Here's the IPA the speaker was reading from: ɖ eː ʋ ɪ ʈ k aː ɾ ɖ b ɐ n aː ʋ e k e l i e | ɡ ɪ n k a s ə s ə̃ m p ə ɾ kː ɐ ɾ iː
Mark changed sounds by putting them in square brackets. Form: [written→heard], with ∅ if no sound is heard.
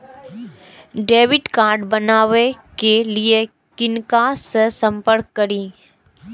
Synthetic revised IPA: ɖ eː ʋ ɪ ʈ k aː ɾ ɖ b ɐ n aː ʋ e k e l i e | [ɡ→k] ɪ n k a s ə s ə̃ m p ə ɾ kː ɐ ɾ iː